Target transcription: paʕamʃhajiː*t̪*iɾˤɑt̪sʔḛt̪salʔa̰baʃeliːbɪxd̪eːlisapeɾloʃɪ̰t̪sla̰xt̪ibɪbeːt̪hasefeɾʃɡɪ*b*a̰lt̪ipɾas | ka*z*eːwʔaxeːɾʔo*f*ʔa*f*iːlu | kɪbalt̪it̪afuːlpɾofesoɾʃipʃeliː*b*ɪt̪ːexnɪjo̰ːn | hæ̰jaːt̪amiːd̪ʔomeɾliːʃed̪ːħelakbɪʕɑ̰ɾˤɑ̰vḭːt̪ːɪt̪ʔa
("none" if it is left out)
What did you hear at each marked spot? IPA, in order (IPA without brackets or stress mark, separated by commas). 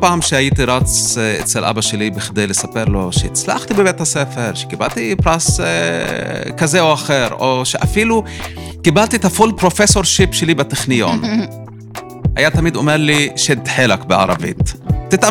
t̪, b, z, ʃ, f, b